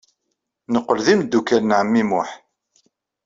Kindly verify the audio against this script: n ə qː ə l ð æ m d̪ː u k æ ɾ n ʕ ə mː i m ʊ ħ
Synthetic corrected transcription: n ə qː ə l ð i m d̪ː u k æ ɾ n ʕ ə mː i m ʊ ħ